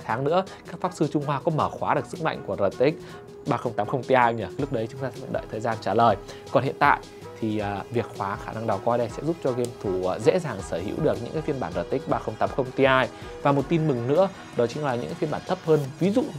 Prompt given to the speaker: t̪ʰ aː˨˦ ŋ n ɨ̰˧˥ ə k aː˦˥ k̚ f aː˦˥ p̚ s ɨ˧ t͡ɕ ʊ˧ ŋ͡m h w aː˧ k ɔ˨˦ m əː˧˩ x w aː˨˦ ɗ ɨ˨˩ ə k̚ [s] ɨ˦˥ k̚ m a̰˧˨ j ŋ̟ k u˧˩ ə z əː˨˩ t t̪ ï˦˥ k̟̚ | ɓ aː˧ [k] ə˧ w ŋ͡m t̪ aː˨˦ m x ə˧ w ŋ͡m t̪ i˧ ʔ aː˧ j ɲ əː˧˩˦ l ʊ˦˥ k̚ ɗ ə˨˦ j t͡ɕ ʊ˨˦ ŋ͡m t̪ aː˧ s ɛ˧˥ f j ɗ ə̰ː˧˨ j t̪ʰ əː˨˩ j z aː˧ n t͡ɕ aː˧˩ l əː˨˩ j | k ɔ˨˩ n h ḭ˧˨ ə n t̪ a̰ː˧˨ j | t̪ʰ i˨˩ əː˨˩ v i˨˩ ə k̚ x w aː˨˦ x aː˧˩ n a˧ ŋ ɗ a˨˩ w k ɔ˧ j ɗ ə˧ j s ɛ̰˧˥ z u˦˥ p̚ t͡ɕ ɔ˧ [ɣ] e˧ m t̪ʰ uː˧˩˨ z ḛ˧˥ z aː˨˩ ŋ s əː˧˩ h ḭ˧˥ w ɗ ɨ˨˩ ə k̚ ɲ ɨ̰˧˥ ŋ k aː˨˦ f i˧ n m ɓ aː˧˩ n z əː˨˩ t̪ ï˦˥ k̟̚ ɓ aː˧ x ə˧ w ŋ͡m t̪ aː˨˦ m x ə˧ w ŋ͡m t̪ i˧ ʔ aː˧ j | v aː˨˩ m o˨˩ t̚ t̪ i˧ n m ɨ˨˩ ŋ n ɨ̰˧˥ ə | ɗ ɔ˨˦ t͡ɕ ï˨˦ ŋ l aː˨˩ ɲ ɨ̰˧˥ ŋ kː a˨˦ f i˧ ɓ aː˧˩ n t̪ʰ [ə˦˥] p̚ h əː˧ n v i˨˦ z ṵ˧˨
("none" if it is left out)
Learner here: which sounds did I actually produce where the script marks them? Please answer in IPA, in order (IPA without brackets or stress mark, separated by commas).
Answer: s, x, ɣ, ə˦˥